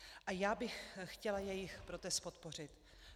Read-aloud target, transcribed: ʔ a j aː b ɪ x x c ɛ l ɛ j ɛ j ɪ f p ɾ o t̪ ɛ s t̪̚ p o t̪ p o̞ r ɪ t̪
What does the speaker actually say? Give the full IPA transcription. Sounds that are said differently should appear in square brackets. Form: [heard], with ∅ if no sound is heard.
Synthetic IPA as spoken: ʔ a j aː b ɪ x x c ɛ l [a] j ɛ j ɪ [x] p ɾ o t̪ ɛ s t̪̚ p o t̪ p o̞ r ɪ t̪